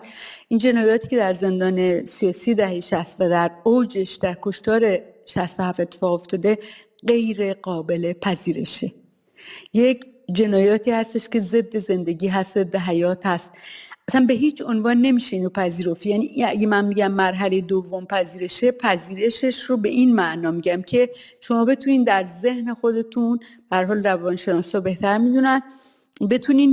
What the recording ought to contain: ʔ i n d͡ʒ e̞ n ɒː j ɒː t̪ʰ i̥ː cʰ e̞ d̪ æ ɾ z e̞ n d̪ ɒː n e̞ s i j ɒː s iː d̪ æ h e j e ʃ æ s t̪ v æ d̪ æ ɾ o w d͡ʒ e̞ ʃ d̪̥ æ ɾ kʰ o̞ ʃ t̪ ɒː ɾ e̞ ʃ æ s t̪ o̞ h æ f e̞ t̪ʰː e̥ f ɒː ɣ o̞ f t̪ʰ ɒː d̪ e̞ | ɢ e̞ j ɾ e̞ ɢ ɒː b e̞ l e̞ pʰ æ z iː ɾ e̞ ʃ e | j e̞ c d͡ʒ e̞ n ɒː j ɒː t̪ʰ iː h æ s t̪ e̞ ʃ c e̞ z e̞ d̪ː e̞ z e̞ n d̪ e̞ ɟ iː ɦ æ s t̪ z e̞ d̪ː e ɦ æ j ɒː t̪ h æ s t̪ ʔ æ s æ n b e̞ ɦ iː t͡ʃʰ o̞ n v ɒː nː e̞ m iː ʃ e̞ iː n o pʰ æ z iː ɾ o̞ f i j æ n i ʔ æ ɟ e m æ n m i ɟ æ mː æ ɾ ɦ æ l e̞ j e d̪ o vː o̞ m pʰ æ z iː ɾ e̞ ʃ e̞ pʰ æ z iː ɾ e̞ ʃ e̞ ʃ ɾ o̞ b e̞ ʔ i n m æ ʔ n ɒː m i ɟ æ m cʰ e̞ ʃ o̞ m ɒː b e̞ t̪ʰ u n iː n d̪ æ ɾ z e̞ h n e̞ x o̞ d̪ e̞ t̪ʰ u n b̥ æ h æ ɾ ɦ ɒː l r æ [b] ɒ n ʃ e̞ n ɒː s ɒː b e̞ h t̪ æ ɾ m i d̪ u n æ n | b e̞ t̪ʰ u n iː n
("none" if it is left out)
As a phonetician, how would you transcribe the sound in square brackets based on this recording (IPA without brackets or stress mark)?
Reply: v